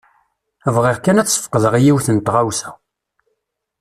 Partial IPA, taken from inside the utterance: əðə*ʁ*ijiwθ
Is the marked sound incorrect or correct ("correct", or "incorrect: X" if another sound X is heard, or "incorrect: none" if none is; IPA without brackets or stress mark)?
correct